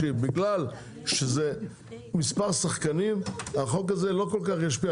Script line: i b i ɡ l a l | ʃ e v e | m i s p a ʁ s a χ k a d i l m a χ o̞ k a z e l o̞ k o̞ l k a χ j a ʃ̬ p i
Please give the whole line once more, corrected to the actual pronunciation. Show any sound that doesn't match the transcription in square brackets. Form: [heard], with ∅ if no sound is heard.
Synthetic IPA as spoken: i b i ɡ l a l | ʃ e [z] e | m i s p a ʁ s a χ k a [n] i [∅] m a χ o̞ k a z e l o̞ k o̞ l k a χ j a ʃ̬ p i